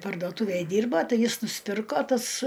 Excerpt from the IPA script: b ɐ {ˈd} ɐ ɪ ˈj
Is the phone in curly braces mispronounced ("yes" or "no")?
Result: yes